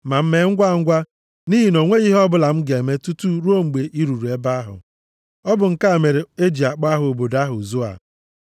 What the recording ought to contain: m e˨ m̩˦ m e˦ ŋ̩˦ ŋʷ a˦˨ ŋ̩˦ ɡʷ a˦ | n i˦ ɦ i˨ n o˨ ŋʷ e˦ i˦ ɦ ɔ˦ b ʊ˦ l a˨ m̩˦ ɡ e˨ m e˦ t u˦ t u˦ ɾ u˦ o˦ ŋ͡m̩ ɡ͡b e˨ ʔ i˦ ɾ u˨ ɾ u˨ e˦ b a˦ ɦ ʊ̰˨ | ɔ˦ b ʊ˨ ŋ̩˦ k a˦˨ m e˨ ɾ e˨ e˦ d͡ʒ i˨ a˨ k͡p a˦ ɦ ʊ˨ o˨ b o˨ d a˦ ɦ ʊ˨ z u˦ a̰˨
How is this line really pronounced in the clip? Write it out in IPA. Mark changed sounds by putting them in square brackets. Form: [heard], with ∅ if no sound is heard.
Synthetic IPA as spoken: m [a˨] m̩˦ m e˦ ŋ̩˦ [ɡʷ] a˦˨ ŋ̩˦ ɡʷ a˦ | n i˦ ɦ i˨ n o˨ ŋʷ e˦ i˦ ɦ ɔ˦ b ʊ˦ l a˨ m̩˦ ɡ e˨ m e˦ t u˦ t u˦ ɾ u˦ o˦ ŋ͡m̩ ɡ͡b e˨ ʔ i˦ ɾ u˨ ɾ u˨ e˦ b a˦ ɦ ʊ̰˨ | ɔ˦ b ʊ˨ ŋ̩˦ k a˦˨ m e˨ ɾ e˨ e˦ d͡ʒ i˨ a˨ k͡p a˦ ɦ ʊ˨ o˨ b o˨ d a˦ ɦ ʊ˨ z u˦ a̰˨